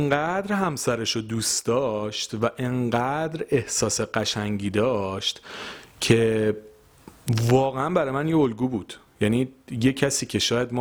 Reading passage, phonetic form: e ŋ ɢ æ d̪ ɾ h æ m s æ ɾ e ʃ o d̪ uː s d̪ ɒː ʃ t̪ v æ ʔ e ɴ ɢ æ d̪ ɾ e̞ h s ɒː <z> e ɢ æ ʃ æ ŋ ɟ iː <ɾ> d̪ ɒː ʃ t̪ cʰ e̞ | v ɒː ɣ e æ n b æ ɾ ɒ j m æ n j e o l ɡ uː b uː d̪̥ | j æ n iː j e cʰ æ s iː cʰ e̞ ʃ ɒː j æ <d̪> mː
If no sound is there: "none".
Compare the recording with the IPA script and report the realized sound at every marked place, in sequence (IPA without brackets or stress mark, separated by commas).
s, none, d̪